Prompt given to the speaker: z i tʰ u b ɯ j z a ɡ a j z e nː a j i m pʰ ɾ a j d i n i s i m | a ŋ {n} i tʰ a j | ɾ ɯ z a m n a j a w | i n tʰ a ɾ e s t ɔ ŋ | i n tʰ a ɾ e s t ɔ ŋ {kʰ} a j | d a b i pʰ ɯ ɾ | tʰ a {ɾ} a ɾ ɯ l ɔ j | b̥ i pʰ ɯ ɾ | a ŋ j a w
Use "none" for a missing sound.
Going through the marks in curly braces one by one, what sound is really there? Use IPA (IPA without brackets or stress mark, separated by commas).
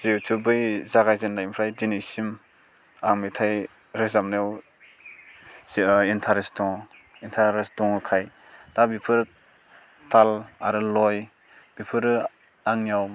m, kʰ, l